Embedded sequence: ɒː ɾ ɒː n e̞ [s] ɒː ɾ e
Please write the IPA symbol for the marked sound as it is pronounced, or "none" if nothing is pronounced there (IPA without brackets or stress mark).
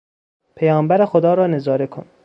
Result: z